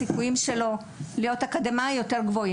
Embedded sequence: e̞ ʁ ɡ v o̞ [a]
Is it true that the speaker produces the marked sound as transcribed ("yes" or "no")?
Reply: no